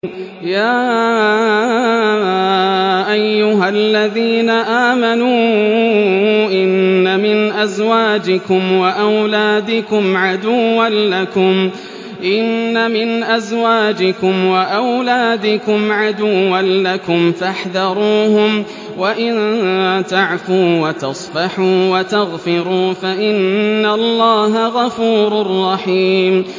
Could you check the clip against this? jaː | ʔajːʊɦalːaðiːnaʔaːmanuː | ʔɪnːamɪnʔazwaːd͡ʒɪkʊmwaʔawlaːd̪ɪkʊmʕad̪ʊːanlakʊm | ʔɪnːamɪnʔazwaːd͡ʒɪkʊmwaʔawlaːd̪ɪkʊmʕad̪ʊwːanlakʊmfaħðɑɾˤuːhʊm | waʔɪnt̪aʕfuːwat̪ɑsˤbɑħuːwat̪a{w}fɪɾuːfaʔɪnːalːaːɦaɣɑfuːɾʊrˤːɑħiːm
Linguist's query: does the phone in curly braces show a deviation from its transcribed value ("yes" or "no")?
yes